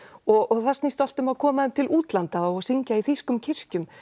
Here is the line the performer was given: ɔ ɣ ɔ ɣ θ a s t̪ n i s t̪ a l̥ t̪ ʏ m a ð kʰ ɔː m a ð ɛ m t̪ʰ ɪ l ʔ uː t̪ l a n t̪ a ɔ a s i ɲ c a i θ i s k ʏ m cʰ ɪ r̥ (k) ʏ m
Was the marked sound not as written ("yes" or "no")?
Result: yes